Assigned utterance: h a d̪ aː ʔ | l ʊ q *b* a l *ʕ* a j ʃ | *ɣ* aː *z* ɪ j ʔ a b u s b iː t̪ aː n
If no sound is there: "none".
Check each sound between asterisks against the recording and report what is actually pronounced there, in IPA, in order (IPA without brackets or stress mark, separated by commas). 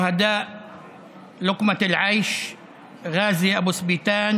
m, ʕ, ɣ, z